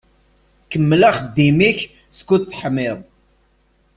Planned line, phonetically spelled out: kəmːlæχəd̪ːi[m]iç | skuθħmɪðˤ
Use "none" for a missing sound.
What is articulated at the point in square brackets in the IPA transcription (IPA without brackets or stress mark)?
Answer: m